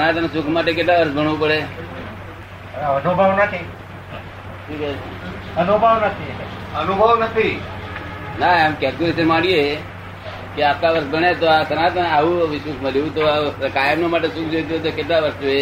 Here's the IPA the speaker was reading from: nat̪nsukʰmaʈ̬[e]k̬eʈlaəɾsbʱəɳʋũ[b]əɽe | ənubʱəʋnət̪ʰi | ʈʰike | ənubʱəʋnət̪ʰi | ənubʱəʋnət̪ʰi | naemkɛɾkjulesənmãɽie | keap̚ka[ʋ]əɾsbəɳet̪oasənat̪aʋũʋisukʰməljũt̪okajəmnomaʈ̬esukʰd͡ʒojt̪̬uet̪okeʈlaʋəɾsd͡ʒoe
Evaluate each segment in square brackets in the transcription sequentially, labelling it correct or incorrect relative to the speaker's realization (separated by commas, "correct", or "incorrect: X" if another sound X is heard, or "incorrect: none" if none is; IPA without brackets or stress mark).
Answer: correct, incorrect: p, correct